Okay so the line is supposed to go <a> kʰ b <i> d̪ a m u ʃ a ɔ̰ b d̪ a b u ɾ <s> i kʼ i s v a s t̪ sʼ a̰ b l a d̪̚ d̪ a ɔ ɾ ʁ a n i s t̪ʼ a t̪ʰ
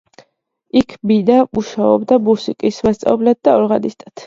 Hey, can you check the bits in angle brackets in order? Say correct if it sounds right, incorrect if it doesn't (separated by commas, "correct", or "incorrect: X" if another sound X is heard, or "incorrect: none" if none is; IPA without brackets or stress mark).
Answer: incorrect: i, correct, correct